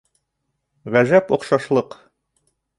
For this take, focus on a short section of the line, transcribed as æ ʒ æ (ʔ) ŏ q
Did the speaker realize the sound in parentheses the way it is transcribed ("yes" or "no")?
no